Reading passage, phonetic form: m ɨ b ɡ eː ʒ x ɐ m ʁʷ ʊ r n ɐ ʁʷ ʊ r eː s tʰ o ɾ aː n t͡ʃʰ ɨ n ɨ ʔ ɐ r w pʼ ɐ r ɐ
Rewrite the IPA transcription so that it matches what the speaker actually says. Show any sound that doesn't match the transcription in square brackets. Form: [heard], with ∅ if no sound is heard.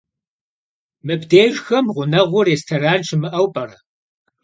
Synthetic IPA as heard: m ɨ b [d] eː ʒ x ɐ m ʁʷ ʊ [∅] n ɐ ʁʷ ʊ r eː s tʰ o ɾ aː n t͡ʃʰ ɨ [m] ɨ ʔ ɐ [∅] w pʼ ɐ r ɐ